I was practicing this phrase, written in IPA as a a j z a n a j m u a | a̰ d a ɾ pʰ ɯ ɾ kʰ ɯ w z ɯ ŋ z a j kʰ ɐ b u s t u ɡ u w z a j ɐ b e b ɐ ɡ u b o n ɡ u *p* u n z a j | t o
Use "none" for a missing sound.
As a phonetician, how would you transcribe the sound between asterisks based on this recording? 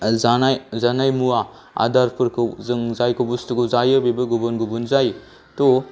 b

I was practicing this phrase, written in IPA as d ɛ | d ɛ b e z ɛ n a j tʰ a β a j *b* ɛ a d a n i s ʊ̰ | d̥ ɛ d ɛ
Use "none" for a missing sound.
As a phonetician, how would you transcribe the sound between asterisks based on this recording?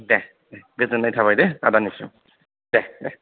d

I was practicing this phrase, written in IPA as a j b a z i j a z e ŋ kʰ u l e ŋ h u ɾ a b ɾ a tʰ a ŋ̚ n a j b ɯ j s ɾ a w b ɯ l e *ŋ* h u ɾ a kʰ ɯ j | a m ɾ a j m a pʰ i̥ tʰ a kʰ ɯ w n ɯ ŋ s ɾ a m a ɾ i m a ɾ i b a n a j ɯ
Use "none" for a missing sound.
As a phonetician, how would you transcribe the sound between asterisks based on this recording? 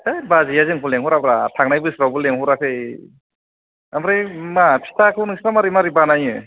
ŋ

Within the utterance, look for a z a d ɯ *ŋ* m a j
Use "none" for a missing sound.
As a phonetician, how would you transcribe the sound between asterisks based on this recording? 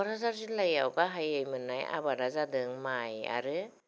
ŋ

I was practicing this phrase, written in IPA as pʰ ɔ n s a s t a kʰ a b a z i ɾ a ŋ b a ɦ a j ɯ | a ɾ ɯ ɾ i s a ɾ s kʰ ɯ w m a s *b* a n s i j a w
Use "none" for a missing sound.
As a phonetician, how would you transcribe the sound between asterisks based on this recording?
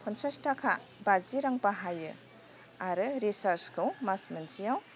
m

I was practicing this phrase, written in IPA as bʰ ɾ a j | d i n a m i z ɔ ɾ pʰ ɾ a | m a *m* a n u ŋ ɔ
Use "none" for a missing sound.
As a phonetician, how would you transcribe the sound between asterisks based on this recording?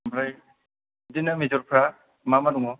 m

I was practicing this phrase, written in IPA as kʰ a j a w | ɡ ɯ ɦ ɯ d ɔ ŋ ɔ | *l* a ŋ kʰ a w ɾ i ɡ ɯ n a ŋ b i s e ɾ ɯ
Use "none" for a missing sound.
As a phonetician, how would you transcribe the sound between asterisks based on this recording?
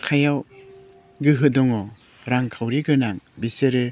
ɾ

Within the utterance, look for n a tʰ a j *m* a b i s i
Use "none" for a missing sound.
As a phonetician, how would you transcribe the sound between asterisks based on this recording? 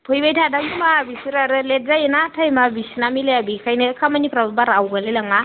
m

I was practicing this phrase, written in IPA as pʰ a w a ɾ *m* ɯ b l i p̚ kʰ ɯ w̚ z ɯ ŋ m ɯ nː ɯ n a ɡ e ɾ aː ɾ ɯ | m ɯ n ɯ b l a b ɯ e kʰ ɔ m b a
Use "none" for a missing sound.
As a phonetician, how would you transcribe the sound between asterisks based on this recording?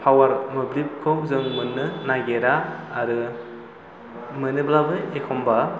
m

